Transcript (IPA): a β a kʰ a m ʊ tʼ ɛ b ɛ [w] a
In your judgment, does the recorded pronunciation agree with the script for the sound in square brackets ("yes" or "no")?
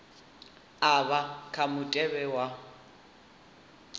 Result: yes